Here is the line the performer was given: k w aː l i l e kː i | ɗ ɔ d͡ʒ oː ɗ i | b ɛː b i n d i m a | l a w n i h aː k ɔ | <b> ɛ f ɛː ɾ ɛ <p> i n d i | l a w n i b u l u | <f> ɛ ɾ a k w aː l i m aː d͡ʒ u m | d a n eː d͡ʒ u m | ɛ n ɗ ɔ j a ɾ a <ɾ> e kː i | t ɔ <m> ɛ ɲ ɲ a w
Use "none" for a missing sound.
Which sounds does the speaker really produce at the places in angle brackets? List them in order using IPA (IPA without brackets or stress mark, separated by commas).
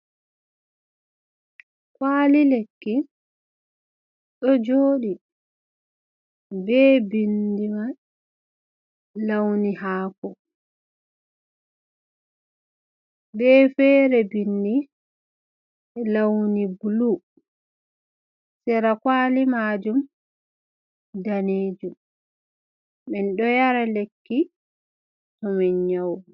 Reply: b, b, s, l, m